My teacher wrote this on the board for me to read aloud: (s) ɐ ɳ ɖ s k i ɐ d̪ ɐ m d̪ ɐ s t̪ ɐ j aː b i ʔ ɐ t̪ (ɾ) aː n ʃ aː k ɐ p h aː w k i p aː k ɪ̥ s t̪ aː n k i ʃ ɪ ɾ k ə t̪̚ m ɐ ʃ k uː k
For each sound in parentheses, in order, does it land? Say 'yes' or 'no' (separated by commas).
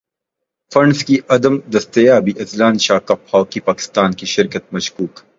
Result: no, no